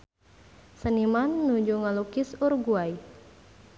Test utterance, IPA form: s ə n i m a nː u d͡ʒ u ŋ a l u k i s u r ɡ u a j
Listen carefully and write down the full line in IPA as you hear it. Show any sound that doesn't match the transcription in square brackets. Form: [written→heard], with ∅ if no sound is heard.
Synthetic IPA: s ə n i m a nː u d͡ʒ u ŋ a l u k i s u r ɡ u a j